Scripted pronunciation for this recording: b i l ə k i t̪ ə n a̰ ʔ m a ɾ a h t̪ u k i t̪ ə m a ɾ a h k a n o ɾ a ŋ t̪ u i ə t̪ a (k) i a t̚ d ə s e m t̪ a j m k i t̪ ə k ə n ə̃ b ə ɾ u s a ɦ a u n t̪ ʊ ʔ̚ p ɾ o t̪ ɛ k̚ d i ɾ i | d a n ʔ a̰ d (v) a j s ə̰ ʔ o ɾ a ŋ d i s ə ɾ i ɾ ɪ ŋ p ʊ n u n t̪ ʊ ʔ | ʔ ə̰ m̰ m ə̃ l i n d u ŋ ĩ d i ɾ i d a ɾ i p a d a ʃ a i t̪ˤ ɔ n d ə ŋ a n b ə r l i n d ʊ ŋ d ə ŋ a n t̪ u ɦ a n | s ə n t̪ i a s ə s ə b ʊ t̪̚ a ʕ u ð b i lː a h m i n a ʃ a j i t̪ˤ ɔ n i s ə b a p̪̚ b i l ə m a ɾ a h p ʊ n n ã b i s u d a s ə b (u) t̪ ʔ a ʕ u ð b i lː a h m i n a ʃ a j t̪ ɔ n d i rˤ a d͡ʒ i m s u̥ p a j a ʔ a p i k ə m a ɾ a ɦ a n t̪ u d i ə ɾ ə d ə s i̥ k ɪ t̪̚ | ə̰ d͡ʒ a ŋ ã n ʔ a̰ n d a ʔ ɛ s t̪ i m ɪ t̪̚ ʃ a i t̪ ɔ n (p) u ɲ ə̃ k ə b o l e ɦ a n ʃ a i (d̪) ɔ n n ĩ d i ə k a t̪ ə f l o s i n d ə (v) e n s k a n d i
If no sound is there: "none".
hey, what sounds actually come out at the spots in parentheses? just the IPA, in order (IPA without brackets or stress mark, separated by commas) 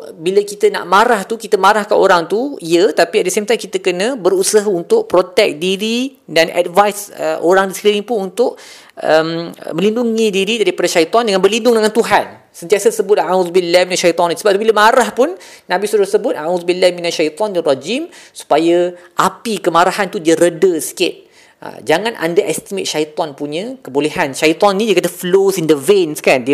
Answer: p, v, ʊ, p, t̪, v